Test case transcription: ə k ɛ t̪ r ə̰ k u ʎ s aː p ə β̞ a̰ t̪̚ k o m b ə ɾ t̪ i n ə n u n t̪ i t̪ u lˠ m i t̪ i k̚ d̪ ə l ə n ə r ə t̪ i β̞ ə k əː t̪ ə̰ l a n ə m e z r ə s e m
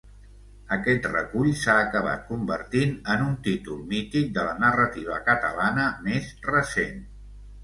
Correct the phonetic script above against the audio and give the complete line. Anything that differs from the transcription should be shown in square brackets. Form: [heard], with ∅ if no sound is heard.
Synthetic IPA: ə k ɛ t̪ r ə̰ k u ʎ s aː [k] ə β̞ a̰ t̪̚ k [u] m b ə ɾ t̪ i n ə n u n t̪ i t̪ u lˠ m i t̪ i k̚ d̪ ə l ə n ə r ə t̪ i β̞ ə k [ə] t̪ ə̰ l a n ə m e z r ə s e [n]